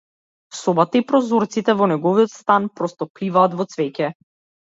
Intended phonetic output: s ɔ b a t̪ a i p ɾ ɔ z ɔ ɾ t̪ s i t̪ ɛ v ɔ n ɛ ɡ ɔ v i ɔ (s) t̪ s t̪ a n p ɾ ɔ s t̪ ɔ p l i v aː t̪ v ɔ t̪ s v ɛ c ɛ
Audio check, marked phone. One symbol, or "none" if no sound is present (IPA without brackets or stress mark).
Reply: none